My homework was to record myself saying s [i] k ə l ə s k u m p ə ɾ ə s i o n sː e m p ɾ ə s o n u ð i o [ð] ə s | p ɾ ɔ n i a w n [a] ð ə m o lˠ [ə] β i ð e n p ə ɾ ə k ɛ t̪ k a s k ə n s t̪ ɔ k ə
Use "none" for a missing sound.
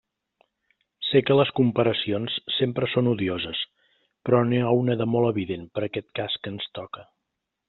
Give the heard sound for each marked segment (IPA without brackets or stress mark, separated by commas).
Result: e, z, ə, ə